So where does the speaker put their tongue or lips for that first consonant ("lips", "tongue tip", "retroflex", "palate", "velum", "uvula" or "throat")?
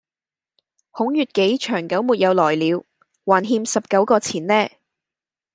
throat